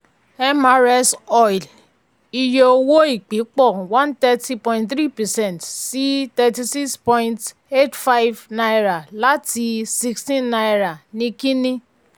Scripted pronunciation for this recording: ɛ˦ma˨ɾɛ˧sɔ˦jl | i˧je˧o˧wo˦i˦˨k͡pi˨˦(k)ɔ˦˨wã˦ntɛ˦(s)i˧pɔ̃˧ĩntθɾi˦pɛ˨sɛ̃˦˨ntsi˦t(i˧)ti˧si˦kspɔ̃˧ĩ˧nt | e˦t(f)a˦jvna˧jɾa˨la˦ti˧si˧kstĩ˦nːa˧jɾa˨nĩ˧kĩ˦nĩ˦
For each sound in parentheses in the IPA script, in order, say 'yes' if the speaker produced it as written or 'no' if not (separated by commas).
no, no, no, yes